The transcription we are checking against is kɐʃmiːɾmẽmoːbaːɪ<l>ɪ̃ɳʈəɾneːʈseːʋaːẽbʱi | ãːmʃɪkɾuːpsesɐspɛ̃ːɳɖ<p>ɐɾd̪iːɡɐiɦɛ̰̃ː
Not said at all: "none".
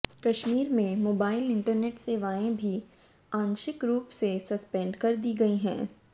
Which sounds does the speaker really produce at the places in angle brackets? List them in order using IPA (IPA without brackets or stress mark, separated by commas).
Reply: l, k